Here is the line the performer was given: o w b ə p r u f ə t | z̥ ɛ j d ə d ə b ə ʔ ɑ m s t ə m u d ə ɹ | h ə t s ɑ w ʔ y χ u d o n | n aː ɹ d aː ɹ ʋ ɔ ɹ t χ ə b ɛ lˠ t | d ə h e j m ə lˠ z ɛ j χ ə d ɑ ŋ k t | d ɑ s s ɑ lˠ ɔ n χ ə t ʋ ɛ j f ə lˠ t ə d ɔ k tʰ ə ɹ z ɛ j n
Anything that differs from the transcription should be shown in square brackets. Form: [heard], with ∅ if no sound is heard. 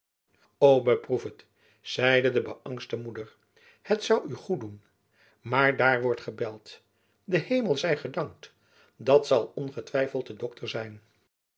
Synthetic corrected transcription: o w b ə p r u f ə t | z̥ ɛ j d ə d ə b ə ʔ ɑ [ŋ] s t ə m u d ə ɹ | h ə t s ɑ w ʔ y χ u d [u] n | [m] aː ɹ d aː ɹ ʋ ɔ ɹ t χ ə b ɛ lˠ t | d ə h e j m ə lˠ z ɛ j χ ə d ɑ ŋ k t | d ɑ [t] s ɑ lˠ ɔ n χ ə t ʋ ɛ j f ə lˠ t ə d ɔ k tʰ ə ɹ z ɛ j n